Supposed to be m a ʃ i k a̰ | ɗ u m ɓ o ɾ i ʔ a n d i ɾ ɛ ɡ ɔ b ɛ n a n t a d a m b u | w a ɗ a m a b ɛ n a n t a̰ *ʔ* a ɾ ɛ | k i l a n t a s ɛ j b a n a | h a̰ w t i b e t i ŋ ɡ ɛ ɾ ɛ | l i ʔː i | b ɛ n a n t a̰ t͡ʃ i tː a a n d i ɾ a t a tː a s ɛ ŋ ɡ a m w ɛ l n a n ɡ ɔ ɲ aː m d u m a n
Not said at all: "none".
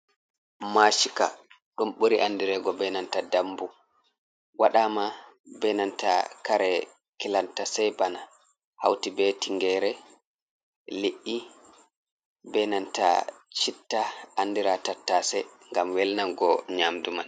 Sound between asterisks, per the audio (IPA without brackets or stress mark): k